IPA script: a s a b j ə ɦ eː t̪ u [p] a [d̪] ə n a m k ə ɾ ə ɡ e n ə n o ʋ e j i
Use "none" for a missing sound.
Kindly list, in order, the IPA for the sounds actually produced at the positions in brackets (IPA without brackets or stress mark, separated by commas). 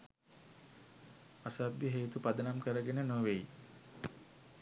p, d̪